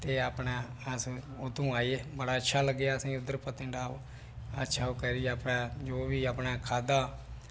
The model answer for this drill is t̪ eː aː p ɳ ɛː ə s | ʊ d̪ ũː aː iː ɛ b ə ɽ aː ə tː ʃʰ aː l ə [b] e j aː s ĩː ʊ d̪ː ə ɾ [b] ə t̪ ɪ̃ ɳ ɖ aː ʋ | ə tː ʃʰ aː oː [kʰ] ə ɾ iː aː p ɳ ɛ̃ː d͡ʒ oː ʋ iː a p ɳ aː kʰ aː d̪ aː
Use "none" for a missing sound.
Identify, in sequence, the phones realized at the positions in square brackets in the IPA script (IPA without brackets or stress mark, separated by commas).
ɡ, p, k